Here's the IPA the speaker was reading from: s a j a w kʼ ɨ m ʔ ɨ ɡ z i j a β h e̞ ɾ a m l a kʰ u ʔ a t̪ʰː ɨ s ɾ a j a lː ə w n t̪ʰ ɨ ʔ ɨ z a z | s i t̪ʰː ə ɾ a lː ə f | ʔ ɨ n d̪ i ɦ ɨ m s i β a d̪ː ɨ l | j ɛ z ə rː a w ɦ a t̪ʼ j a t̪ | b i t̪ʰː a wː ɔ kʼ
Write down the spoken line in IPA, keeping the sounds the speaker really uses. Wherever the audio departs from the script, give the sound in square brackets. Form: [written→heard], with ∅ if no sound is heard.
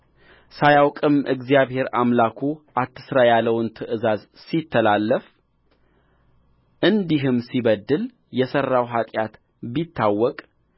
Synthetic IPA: s a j a w kʼ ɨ m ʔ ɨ ɡ z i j a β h e̞ ɾ a m l a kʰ u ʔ a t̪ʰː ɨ s ɾ a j a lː ə w n t̪ʰ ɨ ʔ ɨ z a z | s i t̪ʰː ə [ɾ→l] a lː ə f | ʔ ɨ n d̪ i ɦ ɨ m s i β [a→ə] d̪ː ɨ l | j ɛ [z→s] ə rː a w ɦ a t̪ʼ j a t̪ | b i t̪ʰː a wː ɔ kʼ